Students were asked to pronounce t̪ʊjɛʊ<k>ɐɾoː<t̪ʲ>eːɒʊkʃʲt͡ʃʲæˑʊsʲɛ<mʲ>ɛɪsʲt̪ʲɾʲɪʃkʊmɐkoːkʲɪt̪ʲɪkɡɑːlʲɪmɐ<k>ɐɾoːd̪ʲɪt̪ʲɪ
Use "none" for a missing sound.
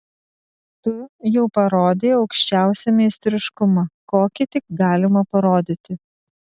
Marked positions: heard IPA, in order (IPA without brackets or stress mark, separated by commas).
p, d̪ʲ, mʲ, p